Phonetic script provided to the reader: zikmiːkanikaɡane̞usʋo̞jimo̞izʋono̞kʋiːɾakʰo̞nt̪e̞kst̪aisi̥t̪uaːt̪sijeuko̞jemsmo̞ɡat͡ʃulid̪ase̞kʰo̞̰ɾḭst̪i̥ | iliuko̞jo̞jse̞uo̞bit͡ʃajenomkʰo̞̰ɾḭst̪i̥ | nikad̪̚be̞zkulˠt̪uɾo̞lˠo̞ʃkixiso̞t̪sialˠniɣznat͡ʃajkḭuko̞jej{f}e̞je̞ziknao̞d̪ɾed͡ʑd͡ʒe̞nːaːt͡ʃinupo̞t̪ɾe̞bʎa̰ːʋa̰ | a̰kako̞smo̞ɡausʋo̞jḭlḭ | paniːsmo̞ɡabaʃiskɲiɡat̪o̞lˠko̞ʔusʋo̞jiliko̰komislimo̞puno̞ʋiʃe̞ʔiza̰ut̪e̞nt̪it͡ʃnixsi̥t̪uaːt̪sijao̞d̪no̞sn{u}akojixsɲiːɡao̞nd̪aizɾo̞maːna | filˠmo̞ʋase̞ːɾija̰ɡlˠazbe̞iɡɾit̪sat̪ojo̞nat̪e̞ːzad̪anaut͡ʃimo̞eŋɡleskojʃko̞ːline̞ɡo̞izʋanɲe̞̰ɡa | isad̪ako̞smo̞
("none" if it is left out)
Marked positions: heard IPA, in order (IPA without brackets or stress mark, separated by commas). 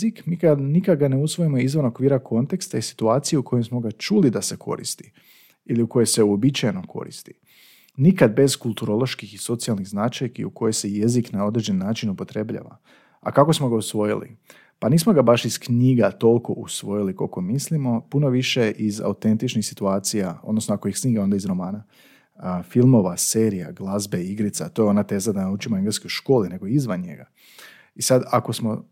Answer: s, o